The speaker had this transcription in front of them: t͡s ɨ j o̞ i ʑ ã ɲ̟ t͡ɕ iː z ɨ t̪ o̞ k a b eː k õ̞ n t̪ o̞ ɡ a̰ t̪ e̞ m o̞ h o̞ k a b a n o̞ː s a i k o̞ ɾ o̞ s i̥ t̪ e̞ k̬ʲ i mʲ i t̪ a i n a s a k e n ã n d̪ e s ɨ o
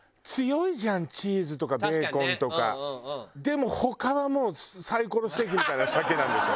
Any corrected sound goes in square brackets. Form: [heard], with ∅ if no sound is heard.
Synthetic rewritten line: t͡s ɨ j o̞ i ʑ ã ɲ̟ t͡ɕ iː z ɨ t̪ o̞ k a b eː k õ̞ n t̪ o̞ [k] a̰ [d̪] e̞ m o̞ h o̞ k a [β] a [m] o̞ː s a i k o̞ ɾ o̞ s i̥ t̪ e̞ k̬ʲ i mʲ i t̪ a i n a s a k e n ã n d̪ e s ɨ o